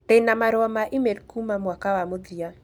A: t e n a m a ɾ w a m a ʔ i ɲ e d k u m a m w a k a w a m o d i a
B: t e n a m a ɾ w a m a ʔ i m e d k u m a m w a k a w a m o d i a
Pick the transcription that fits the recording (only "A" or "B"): B